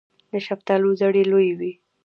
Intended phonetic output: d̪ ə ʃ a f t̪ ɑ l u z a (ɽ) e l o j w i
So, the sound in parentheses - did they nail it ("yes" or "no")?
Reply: yes